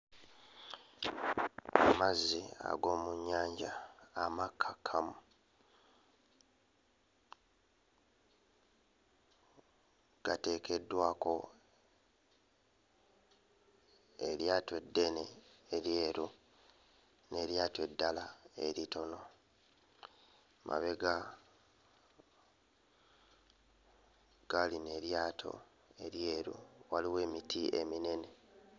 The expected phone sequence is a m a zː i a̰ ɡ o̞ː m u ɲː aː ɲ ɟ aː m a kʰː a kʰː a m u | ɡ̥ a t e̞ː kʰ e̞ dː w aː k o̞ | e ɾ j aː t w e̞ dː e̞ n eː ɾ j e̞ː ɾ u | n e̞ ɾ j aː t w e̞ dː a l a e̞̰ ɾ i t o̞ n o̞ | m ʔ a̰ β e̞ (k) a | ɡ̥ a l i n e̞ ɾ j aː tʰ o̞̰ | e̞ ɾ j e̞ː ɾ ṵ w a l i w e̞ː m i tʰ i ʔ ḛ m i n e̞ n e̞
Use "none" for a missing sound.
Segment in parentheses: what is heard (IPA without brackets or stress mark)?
ɡ